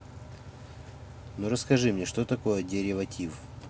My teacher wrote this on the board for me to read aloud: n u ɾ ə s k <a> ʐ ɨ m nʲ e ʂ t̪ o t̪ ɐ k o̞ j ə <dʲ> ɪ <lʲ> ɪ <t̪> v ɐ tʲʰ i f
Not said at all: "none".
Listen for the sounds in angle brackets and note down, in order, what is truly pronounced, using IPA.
ɐ, dʲ, ɾʲ, none

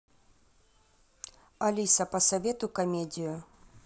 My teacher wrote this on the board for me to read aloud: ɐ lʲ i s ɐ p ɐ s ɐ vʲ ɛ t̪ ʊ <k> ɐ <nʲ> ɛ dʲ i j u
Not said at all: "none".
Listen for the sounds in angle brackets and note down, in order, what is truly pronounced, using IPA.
k, mʲ

